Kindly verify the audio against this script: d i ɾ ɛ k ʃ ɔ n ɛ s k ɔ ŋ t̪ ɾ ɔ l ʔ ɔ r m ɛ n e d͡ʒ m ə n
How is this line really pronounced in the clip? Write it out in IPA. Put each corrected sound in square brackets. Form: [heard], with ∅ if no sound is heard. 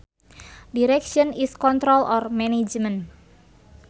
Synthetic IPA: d i ɾ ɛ k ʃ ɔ n [i] s k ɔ [n] t̪ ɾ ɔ l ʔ ɔ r m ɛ n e d͡ʒ m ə n